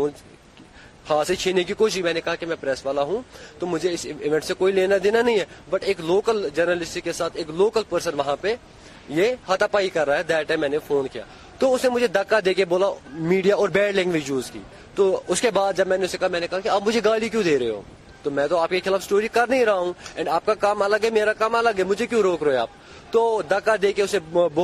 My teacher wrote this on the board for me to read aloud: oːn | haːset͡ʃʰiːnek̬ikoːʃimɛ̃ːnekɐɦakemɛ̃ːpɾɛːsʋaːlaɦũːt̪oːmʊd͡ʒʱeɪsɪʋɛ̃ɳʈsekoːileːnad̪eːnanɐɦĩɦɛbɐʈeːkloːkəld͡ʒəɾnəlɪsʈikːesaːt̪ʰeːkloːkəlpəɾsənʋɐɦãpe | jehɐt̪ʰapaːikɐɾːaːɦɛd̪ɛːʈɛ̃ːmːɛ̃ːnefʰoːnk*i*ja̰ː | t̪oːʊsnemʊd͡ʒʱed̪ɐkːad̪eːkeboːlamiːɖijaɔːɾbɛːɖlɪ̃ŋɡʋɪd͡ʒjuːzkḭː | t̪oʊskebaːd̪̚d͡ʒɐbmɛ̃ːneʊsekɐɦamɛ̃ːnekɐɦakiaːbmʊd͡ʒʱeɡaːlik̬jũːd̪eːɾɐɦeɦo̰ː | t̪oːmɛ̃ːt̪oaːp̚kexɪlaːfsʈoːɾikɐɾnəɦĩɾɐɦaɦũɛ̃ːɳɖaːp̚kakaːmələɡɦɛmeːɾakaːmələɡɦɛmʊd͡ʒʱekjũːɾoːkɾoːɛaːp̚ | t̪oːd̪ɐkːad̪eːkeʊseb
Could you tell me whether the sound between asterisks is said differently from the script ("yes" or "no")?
no